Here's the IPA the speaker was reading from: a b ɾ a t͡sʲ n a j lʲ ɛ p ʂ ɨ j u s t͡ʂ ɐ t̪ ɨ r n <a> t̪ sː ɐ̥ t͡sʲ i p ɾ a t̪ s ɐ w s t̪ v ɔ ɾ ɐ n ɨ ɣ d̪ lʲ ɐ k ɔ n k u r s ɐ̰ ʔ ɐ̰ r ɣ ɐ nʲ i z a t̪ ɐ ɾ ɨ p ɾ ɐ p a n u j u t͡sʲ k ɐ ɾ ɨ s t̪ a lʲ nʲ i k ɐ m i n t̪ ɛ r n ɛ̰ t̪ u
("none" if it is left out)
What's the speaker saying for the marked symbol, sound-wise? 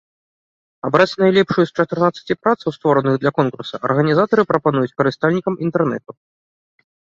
a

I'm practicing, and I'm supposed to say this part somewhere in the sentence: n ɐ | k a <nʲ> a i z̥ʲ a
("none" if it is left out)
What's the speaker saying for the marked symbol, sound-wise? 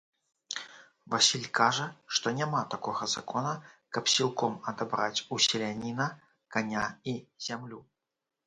nʲ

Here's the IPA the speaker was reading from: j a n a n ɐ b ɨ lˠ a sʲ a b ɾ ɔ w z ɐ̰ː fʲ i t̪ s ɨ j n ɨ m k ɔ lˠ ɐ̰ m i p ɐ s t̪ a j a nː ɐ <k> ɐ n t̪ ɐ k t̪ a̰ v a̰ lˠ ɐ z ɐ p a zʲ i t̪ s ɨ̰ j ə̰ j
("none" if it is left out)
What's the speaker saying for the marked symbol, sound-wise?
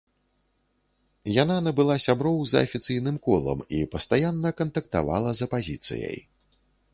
k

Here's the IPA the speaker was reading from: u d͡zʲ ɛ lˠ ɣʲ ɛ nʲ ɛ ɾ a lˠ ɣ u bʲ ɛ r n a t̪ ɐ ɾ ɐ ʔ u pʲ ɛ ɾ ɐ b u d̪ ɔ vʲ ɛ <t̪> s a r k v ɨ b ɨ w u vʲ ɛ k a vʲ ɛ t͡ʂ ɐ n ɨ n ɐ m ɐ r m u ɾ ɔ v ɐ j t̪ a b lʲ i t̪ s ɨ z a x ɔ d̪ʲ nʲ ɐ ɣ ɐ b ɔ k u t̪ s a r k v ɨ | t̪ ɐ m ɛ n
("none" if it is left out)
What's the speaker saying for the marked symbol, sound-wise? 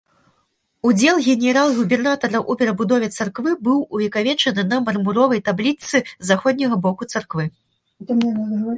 t̪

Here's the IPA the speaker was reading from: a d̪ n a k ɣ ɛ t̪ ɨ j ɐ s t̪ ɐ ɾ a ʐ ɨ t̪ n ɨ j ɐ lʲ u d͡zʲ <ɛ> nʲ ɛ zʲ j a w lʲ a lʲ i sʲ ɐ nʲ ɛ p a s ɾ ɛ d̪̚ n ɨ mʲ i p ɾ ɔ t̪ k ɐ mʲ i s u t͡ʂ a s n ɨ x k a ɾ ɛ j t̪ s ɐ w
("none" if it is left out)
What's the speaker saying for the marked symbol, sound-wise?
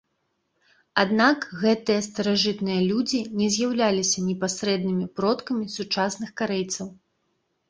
i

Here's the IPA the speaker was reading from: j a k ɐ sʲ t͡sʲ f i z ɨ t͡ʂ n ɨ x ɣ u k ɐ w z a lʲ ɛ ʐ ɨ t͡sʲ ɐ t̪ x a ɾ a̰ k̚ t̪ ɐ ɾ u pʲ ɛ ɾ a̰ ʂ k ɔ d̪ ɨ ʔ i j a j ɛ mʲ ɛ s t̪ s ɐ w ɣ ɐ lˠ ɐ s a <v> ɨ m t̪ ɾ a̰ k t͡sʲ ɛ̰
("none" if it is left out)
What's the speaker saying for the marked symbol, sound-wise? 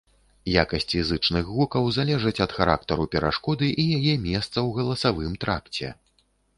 v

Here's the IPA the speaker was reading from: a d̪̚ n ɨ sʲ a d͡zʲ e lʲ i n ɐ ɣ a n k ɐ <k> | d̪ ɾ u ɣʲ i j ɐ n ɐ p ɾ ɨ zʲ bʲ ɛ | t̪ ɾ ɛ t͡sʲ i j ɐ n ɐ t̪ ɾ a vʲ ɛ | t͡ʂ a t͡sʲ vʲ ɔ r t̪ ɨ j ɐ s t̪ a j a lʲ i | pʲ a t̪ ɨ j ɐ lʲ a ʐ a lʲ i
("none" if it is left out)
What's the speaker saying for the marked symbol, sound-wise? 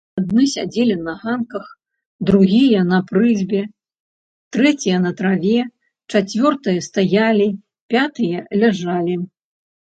x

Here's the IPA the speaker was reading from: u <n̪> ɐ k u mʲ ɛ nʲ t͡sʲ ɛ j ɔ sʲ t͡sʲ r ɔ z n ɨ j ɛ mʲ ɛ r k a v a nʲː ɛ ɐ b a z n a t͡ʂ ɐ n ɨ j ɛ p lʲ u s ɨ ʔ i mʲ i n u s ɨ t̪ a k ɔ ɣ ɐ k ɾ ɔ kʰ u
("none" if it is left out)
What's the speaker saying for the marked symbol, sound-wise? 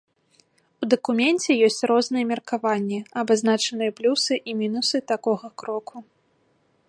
d̪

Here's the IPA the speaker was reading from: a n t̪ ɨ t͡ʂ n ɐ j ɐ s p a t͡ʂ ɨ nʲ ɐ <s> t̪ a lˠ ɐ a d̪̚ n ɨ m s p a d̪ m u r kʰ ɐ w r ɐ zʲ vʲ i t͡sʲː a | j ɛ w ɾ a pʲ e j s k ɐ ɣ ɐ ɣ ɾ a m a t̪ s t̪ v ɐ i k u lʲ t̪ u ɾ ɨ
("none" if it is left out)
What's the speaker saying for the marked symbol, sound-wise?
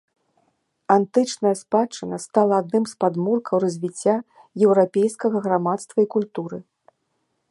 s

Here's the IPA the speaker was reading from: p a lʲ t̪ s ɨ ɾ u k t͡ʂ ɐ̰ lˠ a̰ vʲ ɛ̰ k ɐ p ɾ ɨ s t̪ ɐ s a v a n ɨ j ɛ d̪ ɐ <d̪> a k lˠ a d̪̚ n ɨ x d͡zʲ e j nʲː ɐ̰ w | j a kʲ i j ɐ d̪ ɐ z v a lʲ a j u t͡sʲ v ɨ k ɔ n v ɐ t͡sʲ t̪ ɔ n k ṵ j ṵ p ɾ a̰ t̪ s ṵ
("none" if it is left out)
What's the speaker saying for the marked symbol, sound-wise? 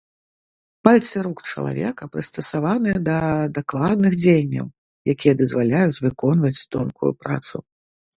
d̪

